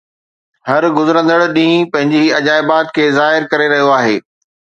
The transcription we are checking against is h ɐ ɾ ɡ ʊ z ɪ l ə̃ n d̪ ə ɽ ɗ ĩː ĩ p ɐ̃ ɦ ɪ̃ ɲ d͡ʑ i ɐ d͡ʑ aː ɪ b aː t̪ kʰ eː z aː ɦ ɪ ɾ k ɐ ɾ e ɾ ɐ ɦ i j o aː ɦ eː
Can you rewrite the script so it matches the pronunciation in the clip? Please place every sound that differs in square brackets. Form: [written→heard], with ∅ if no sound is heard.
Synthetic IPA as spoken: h ɐ ɾ ɡ ʊ z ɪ [l→ɾ] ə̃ n d̪ ə ɽ ɗ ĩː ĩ p ɐ̃ ɦ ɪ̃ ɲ d͡ʑ i ɐ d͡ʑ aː ɪ b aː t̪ kʰ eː z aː ɦ ɪ ɾ k ɐ ɾ e ɾ ɐ ɦ i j o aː ɦ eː